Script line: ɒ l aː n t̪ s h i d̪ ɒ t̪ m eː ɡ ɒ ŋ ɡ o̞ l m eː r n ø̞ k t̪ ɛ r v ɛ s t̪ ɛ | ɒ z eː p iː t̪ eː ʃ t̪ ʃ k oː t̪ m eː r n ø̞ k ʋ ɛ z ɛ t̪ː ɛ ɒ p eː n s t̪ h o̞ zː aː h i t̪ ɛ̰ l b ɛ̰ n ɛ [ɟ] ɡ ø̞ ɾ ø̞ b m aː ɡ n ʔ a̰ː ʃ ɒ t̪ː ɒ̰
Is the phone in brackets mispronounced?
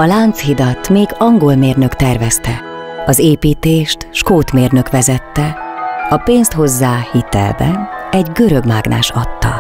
no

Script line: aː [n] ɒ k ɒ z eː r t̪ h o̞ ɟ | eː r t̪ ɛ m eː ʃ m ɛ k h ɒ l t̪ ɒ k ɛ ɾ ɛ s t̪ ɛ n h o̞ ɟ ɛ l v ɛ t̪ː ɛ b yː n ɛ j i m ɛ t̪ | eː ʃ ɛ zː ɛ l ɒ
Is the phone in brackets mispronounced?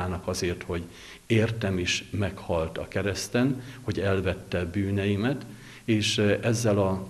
no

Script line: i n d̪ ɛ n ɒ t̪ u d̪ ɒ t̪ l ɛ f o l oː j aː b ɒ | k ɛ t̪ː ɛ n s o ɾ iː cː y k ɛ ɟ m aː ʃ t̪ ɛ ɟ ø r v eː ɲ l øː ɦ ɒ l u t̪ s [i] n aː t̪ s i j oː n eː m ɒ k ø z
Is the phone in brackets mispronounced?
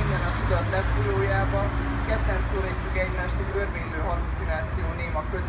no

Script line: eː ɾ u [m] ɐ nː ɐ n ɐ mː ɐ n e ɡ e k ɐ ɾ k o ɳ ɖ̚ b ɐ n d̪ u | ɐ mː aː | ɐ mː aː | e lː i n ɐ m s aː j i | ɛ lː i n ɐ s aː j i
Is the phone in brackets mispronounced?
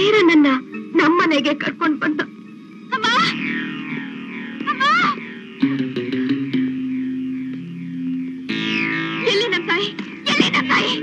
yes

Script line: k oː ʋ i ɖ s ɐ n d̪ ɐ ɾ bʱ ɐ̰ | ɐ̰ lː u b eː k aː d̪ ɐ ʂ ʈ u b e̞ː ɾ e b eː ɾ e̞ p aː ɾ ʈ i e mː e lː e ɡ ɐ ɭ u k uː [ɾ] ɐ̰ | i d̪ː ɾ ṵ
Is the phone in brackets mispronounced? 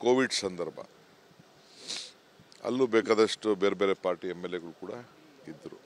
yes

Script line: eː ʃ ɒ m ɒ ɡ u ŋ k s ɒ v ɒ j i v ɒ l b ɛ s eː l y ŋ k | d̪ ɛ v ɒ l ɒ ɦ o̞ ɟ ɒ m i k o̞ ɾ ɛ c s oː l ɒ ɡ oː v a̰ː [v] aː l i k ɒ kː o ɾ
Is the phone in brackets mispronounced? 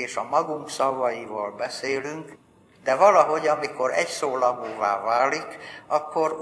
no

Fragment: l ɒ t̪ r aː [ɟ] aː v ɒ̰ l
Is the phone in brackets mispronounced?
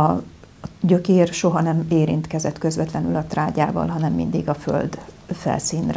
no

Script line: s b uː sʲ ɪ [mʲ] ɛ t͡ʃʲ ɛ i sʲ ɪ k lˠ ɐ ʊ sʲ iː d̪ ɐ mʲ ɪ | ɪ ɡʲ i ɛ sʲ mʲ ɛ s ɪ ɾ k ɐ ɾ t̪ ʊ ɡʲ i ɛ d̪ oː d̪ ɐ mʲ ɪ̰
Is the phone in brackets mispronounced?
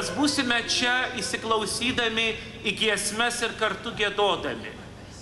no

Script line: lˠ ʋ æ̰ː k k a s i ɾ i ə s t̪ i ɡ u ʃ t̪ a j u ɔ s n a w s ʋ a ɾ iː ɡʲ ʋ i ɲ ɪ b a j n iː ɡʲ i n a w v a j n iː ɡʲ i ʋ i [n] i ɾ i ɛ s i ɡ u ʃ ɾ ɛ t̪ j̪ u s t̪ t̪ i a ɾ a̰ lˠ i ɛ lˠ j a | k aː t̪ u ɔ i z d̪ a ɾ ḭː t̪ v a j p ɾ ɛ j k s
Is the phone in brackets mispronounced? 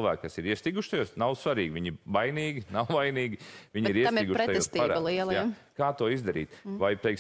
yes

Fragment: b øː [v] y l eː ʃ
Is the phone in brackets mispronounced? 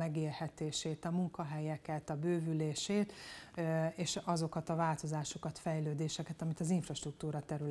no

